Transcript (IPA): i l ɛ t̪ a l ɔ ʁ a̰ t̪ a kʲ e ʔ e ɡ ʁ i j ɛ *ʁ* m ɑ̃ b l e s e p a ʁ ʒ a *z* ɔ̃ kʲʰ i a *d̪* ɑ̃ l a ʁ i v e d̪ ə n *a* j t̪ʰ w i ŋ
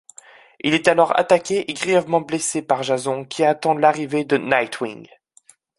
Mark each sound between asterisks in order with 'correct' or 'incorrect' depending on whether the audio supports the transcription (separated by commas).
incorrect, correct, incorrect, correct